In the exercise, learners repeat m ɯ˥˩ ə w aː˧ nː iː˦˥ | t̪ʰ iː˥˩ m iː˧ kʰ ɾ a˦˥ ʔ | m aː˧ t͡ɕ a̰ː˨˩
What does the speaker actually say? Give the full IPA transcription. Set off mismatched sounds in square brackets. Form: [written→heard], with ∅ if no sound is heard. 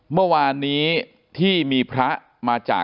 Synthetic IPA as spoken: m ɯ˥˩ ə w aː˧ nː iː˦˥ | t̪ʰ iː˥˩ m iː˧ [kʰ→pʰ] ɾ a˦˥ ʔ | m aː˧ t͡ɕ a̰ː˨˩